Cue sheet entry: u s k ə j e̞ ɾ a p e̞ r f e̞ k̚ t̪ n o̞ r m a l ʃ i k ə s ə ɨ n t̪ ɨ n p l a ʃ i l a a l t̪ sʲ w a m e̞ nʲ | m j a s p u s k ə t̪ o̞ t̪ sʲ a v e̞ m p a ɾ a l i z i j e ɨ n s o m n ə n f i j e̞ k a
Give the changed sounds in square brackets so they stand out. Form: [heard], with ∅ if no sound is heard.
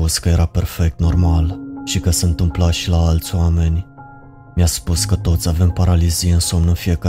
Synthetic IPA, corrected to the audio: u s k ə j e̞ ɾ a p e̞ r f e̞ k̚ t̪ n o̞ r m a l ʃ i k ə s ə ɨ n t̪ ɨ [m] p l a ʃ i l a a l t̪ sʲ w a m e̞ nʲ | m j a s p u s k ə t̪ o̞ t̪ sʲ a v e̞ m p a ɾ a l i z i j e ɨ n s o m n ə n f i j e̞ k a